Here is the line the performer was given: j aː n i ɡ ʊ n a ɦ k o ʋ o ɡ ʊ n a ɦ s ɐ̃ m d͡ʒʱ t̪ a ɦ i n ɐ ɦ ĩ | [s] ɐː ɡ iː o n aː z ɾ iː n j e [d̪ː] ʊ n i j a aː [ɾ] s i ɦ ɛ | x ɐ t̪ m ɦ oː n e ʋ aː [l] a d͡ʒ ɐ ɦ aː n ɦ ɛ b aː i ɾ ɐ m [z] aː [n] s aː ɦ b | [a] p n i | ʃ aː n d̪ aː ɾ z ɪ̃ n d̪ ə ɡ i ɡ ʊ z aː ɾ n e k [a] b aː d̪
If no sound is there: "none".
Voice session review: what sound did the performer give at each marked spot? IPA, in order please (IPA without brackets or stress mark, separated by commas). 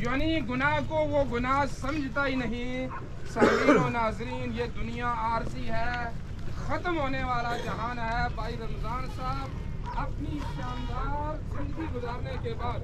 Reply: s, d̪, ɾ, l, z, n, ɐ, e